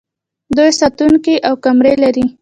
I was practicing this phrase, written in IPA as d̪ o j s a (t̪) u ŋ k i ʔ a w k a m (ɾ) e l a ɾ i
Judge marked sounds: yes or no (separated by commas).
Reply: yes, yes